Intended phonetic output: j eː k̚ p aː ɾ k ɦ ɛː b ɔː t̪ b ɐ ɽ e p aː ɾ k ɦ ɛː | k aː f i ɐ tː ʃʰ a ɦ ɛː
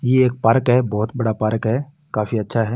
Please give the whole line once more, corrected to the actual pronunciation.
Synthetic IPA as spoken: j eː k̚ p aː ɾ k ɦ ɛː b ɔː t̪ b ɐ ɽ a p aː ɾ k ɦ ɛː | k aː f i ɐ tː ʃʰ a ɦ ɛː